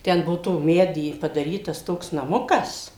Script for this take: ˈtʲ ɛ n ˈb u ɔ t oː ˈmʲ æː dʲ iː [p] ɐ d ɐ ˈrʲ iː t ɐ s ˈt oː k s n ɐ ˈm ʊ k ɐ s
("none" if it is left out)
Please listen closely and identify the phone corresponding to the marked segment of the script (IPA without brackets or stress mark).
p